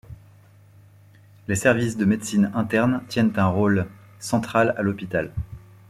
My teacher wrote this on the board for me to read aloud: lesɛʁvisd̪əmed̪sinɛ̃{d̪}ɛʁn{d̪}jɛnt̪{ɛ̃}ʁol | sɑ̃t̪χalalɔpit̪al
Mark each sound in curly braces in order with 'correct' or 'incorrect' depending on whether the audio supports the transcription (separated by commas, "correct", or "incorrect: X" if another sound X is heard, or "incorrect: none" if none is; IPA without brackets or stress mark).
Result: incorrect: t̪, incorrect: t̪, correct